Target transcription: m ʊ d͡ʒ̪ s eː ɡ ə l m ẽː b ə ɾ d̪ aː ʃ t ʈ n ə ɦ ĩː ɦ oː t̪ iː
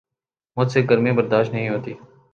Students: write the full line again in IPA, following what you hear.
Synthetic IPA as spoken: m ʊ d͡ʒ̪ s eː ɡ ə ɾ m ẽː b ə ɾ d̪ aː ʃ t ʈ n ə ɦ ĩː ɦ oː t̪ iː